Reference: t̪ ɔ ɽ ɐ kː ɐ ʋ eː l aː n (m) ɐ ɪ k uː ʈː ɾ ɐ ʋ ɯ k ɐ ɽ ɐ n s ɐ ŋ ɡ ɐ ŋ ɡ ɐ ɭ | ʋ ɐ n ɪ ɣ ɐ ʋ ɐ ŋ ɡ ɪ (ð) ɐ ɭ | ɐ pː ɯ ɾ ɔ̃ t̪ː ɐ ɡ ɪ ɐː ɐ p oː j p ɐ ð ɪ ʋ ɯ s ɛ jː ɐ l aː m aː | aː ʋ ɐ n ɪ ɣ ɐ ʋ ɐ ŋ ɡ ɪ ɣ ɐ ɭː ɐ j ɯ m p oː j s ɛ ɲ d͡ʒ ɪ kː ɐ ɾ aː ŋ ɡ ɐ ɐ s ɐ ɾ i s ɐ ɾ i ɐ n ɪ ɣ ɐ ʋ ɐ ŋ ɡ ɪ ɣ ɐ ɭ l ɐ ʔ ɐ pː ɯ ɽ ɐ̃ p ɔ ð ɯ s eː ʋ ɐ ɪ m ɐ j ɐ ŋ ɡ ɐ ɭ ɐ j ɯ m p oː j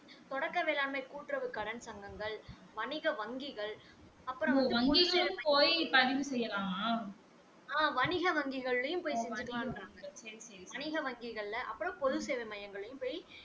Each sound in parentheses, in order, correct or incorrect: correct, incorrect: ɣ

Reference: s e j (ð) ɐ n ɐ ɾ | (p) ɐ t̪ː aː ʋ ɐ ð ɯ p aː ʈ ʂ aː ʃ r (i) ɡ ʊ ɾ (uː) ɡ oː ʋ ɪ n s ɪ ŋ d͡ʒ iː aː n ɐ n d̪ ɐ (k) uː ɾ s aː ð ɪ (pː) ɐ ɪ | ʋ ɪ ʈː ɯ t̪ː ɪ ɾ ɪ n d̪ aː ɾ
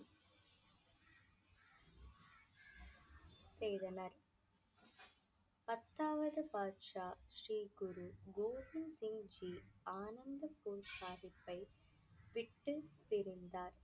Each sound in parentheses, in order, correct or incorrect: correct, correct, incorrect: iː, incorrect: u, incorrect: p, correct

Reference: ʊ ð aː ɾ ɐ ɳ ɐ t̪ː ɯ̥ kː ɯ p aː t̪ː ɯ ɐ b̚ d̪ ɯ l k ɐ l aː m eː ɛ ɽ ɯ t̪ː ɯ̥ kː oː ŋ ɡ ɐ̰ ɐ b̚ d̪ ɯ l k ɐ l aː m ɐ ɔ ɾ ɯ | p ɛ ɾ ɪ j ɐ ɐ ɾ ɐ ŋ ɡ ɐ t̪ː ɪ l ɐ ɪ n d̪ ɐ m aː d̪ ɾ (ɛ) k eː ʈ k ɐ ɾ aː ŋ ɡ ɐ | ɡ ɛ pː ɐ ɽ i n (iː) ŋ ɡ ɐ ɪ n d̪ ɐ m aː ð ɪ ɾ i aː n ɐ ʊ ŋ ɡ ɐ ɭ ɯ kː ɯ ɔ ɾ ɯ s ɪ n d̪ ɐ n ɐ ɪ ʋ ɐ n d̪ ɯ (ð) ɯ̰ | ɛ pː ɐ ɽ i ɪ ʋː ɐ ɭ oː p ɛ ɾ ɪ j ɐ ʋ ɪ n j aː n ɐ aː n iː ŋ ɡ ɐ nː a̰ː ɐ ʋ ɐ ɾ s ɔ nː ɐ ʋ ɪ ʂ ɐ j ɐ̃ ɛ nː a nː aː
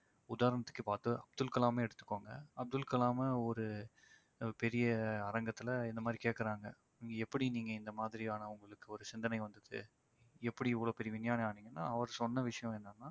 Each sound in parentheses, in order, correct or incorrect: incorrect: i, correct, correct

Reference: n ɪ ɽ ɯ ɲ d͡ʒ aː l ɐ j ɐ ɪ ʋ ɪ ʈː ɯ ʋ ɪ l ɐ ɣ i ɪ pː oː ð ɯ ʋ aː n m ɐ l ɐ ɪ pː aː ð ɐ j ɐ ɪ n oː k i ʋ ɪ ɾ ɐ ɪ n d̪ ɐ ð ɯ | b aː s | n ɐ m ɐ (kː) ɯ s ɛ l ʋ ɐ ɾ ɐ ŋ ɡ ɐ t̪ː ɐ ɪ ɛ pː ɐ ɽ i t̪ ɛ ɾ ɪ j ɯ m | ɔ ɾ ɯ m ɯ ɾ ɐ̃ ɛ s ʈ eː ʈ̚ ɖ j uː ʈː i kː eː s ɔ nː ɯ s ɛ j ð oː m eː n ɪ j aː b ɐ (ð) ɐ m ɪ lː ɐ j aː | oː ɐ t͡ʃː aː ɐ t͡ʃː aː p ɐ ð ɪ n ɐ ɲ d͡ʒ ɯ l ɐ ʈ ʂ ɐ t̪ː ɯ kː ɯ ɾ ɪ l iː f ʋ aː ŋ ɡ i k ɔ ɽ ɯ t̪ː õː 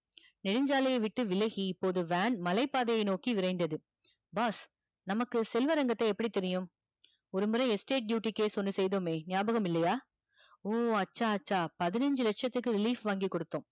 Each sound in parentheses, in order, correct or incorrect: correct, incorrect: ɣ

